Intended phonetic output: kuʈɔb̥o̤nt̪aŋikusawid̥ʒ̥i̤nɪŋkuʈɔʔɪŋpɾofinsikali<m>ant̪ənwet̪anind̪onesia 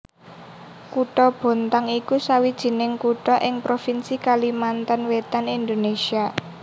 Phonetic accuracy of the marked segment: correct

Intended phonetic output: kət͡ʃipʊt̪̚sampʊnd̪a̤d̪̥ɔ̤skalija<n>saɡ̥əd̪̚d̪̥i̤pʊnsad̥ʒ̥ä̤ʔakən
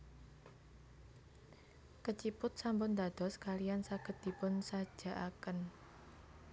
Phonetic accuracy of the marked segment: correct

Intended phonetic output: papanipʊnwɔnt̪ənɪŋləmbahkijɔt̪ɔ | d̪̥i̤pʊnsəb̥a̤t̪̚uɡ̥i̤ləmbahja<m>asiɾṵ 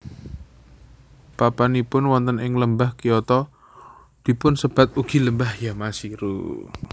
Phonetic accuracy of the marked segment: correct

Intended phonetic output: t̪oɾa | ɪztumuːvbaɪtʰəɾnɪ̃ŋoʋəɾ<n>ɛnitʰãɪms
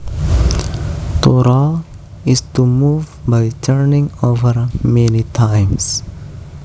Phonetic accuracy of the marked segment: incorrect: m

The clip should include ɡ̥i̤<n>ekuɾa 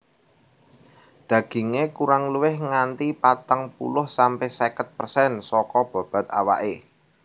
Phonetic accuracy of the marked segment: incorrect: ŋ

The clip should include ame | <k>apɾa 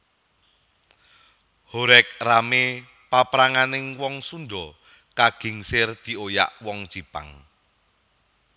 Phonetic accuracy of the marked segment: incorrect: p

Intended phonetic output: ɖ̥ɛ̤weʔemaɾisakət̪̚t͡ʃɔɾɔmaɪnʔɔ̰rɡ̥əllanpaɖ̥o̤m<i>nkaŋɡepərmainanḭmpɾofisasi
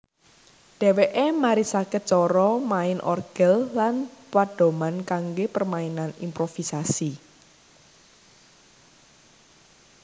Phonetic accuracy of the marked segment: incorrect: a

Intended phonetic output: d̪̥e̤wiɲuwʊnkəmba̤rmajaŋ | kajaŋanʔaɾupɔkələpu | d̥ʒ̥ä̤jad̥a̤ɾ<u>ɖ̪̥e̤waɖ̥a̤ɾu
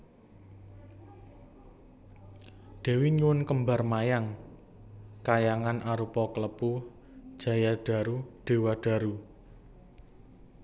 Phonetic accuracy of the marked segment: correct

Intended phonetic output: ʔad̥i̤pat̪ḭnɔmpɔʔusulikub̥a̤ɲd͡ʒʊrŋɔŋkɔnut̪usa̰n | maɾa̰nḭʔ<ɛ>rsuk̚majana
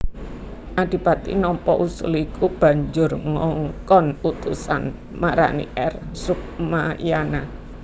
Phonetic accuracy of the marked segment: correct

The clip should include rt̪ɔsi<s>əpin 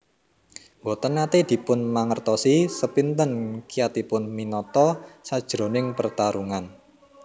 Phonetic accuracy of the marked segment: correct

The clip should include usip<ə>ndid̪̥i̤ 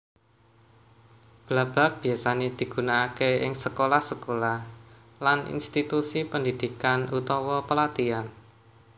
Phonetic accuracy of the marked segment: correct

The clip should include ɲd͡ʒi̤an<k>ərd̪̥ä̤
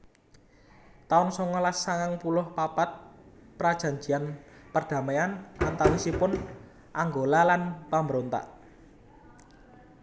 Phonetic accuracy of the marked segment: incorrect: p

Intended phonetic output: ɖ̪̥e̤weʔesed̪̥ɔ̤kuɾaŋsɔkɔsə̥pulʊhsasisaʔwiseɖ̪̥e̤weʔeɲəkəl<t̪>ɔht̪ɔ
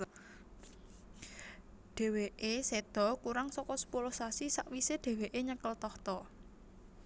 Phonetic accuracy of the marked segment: correct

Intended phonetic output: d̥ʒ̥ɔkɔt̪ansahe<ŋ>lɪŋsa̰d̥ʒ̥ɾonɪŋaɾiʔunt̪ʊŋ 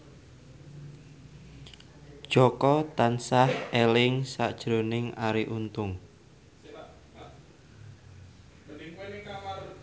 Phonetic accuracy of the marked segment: incorrect: none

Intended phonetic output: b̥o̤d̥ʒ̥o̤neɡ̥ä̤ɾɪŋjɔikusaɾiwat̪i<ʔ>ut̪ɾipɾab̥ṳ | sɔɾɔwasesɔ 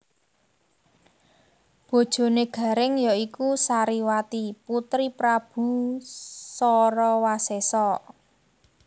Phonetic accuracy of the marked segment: incorrect: p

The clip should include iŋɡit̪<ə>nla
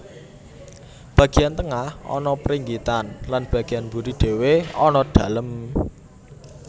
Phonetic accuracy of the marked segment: incorrect: a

